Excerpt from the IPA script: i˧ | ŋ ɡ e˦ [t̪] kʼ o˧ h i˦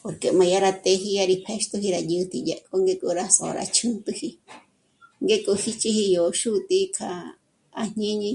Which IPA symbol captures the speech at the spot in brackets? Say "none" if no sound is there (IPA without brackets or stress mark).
none